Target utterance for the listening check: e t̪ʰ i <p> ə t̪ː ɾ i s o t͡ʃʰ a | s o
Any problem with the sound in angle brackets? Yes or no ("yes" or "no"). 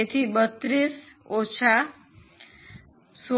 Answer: yes